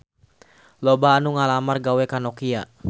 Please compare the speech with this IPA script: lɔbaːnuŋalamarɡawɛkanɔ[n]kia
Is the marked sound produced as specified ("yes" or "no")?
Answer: no